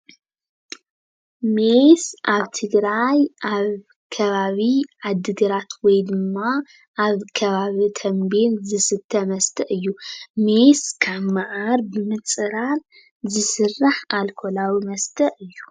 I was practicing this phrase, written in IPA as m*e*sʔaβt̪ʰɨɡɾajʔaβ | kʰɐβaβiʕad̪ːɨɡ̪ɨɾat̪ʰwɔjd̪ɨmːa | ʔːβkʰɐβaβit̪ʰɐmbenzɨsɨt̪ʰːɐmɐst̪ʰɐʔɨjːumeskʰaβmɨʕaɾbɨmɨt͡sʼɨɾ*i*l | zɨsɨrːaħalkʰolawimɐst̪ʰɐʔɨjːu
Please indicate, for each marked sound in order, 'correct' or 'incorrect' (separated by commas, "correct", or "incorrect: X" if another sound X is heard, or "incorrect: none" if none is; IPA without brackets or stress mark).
correct, incorrect: a